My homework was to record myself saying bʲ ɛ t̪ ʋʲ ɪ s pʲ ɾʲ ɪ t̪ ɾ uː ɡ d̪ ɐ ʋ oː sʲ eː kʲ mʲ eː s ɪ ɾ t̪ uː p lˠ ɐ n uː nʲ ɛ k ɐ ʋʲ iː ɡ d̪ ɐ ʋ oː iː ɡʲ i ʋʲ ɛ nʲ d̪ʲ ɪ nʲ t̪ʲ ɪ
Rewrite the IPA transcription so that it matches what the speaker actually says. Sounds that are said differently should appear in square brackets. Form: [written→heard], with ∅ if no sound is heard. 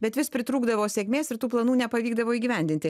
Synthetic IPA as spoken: bʲ ɛ t̪ ʋʲ ɪ s pʲ ɾʲ ɪ t̪ ɾ uː ɡ d̪ ɐ ʋ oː sʲ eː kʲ mʲ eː s ɪ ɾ t̪ uː p lˠ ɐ n uː nʲ ɛ [k→p] ɐ ʋʲ iː ɡ d̪ ɐ ʋ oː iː ɡʲ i ʋʲ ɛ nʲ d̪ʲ ɪ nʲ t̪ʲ ɪ